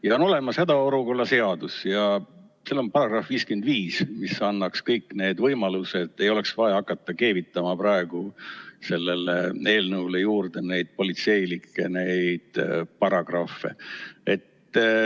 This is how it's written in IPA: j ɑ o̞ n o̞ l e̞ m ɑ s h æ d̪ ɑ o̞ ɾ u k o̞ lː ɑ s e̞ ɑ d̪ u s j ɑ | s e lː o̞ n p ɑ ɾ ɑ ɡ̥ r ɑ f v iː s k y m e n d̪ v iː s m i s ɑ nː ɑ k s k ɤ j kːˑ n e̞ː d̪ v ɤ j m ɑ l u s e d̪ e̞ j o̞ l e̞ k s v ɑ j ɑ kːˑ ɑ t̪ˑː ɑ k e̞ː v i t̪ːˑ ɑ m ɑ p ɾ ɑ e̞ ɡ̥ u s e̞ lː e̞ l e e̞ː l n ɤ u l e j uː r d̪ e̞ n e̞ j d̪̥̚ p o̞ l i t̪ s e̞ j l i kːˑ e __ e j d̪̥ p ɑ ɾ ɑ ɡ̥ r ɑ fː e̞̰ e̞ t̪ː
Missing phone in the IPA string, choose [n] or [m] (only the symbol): n